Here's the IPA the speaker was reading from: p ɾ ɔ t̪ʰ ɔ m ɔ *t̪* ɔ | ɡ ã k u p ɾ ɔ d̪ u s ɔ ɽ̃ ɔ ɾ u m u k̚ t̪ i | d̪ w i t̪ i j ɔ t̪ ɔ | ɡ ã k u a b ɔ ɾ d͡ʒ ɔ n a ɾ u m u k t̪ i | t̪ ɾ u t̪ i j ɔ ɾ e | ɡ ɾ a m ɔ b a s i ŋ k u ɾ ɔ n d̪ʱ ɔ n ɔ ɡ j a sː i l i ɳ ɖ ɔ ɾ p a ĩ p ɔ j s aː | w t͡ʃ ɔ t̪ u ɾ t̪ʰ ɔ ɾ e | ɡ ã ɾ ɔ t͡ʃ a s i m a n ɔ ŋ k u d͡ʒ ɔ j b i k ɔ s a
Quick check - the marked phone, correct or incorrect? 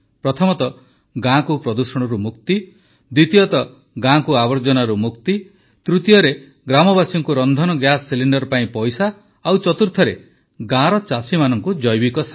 correct